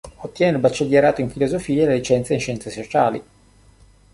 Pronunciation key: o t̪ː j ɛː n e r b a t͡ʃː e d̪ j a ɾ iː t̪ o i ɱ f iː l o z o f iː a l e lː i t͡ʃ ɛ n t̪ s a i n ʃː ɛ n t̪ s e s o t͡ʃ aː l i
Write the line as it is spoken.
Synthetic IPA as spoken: o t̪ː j ɛː n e l b a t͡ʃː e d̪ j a ɾ aː t̪ o i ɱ f i l o z o f iː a l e l i t͡ʃ ɛ n t̪ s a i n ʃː ɛ n t̪ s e s o t͡ʃ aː l i